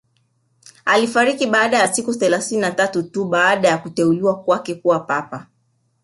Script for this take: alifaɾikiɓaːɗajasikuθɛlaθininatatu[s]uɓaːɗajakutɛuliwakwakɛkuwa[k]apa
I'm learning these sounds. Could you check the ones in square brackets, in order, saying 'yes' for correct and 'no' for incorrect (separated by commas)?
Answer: no, no